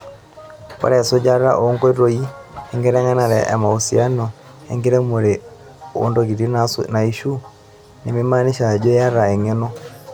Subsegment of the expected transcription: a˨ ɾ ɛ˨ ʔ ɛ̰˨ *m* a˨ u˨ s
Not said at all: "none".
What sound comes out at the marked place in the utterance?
m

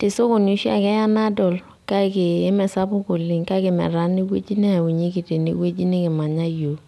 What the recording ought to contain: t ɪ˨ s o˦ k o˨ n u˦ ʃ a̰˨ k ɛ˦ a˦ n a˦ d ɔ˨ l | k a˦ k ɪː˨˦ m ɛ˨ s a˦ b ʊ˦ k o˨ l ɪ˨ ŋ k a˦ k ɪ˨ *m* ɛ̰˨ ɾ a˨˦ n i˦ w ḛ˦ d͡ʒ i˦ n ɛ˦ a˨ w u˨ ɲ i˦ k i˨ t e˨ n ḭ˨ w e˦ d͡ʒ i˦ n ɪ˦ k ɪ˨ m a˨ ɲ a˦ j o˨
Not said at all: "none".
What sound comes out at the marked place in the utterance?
m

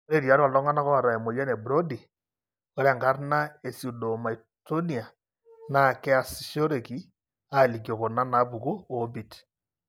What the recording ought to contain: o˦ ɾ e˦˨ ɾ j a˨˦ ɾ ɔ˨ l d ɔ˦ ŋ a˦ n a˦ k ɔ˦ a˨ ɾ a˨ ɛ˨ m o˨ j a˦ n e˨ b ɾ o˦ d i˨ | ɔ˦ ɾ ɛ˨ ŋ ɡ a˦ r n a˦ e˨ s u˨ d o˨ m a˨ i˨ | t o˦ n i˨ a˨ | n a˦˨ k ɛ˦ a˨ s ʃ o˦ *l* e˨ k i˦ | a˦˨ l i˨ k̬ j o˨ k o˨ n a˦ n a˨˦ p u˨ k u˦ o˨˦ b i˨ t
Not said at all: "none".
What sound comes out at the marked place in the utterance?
ɾ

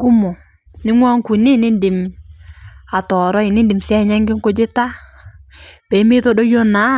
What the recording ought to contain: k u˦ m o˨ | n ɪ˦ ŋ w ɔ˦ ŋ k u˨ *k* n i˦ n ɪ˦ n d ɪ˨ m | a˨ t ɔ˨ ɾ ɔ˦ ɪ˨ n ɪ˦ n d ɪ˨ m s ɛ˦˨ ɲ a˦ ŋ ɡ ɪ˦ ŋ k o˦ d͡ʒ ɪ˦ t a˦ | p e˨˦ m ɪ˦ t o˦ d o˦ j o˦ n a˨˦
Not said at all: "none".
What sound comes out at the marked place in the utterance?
none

